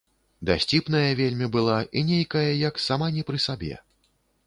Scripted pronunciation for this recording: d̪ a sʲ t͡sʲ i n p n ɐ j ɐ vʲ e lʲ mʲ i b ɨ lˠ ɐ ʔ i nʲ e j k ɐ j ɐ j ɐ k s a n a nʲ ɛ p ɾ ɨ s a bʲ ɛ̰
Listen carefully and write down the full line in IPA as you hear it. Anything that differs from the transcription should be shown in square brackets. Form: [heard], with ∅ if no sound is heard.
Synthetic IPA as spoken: d̪ a sʲ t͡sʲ i [∅] p n ɐ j ɐ vʲ e lʲ mʲ i b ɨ lˠ [a] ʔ i nʲ e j k ɐ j ɐ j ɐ k s a [m] a nʲ ɛ p ɾ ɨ s a bʲ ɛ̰

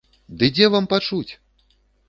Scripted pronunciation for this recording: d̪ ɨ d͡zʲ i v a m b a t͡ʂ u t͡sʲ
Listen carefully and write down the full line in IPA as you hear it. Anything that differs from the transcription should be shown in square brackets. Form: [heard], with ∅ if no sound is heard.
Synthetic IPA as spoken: d̪ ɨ d͡zʲ [ɛ] v a m [p] a t͡ʂ u t͡sʲ

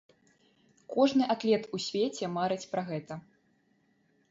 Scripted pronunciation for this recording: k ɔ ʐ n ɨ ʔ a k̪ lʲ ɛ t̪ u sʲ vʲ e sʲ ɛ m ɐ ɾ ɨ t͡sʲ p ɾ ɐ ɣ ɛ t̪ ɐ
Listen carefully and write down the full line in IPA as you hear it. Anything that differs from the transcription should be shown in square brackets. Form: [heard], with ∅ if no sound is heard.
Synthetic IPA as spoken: k ɔ ʐ n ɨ ʔ a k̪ lʲ ɛ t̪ u sʲ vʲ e [t͡sʲ] ɛ m [a] ɾ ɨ t͡sʲ p ɾ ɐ ɣ ɛ t̪ ɐ

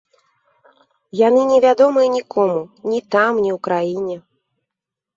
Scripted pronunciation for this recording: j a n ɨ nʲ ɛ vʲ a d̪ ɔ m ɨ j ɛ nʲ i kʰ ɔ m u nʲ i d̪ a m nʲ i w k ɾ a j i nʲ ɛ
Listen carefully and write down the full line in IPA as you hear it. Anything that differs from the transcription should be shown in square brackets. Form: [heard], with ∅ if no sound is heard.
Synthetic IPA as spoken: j a n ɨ nʲ ɛ vʲ a d̪ ɔ m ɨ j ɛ nʲ i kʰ ɔ m u nʲ i [t̪] a m nʲ i w k ɾ a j i nʲ ɛ

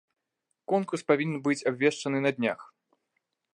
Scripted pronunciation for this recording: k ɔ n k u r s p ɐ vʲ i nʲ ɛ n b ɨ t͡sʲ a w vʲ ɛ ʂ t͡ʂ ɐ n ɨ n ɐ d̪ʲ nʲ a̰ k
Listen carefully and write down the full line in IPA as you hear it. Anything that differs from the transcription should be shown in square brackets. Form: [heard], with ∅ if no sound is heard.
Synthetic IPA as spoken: k ɔ n k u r s p [a] vʲ i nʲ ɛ n b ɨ t͡sʲ a [b] vʲ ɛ ʂ t͡ʂ ɐ n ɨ n ɐ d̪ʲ nʲ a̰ [x]

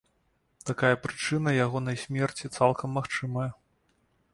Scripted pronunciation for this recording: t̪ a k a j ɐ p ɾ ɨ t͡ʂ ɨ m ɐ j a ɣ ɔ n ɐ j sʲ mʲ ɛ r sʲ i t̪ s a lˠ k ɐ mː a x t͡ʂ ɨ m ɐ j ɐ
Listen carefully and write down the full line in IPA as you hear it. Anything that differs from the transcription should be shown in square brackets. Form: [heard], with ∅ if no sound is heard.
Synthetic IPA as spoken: t̪ a k a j ɐ p ɾ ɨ t͡ʂ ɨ [n] ɐ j a ɣ ɔ n ɐ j sʲ mʲ ɛ r [t͡sʲ] i t̪ s a lˠ k ɐ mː a x t͡ʂ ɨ m ɐ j ɐ

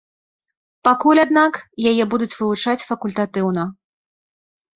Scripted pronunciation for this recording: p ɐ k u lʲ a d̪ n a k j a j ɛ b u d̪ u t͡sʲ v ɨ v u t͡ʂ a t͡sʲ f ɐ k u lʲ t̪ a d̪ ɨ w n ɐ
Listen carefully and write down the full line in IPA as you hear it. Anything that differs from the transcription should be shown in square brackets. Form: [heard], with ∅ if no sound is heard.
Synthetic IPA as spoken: p [a] k u lʲ a d̪ n a k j a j ɛ b u d̪ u t͡sʲ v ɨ v u t͡ʂ a t͡sʲ f ɐ k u lʲ t̪ a [t̪] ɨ w n ɐ

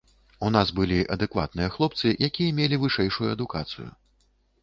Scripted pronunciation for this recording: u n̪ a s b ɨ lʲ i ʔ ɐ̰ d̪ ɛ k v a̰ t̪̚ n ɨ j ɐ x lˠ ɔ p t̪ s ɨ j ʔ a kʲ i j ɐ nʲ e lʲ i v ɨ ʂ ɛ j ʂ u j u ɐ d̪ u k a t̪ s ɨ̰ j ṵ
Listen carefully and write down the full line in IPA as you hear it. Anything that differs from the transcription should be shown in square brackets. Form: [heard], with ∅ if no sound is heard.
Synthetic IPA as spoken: u n̪ a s b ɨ lʲ i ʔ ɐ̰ d̪ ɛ k v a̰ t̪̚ n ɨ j ɐ x lˠ ɔ p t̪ s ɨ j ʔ a kʲ i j ɐ [mʲ] e lʲ i v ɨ ʂ ɛ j ʂ u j u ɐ d̪ u k a t̪ s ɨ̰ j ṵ

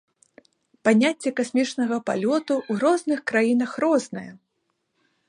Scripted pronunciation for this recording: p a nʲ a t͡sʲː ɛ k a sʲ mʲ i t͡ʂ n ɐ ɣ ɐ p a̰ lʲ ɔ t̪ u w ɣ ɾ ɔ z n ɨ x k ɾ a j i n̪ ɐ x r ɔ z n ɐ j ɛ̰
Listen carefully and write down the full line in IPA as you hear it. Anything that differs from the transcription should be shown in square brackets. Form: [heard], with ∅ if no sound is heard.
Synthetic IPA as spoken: p a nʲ a t͡sʲː ɛ k a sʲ mʲ i t͡ʂ n ɐ ɣ ɐ p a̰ lʲ ɔ t̪ u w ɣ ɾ ɔ z n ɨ x k ɾ a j i n̪ ɐ x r ɔ z n ɐ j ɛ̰

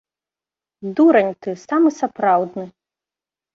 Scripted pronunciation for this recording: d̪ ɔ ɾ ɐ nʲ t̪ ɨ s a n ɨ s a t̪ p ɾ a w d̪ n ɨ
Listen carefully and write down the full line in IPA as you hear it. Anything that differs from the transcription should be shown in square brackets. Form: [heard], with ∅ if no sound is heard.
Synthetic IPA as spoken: d̪ [u] ɾ ɐ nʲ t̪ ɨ s a [m] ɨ s a [∅] p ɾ a w d̪ n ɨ

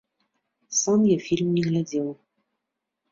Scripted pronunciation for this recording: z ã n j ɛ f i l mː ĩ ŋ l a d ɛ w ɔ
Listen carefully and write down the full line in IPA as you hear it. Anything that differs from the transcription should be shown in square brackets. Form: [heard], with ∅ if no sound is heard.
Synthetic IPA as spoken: [s] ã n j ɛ f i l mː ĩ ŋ l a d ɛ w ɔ

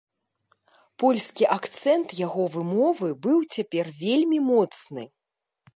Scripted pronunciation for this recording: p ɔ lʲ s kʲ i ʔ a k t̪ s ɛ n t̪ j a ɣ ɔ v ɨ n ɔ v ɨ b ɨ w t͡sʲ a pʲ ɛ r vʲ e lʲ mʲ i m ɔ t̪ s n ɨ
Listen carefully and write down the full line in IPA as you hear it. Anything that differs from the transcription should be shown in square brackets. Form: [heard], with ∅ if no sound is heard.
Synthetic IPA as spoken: p ɔ lʲ s kʲ i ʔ a k t̪ s ɛ n t̪ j a ɣ ɔ v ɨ [m] ɔ v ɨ b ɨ w t͡sʲ a pʲ ɛ r vʲ e lʲ mʲ i m ɔ t̪ s n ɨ

